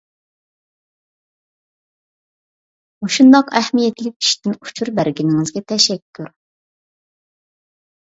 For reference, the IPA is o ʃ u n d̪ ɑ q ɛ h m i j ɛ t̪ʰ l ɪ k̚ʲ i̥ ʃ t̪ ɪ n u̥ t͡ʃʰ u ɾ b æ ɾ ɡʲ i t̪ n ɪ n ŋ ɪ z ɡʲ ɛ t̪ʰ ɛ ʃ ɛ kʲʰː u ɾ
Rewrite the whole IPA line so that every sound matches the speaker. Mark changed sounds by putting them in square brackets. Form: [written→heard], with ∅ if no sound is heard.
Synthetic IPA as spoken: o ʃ u n d̪ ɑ q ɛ h m i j ɛ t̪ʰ l ɪ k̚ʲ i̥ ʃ t̪ ɪ n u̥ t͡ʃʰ u ɾ b æ ɾ ɡʲ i [t̪→∅] n ɪ [n→∅] ŋ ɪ z ɡʲ ɛ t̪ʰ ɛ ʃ ɛ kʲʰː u ɾ